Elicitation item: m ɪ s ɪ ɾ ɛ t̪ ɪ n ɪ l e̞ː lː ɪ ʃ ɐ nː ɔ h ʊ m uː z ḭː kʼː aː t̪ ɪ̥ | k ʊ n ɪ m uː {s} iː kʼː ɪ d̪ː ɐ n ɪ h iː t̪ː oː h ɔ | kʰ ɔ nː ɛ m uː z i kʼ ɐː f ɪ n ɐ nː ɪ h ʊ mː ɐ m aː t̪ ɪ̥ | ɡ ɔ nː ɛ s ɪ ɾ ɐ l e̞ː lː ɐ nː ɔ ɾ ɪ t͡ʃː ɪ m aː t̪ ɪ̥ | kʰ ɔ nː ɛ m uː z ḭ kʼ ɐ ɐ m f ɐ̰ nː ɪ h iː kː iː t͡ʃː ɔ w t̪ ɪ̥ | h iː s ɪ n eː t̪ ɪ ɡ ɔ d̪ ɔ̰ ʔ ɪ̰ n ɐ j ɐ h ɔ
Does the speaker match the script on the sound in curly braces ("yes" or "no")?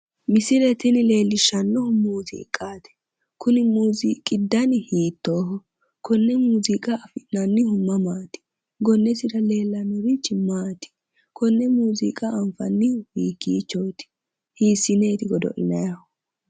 no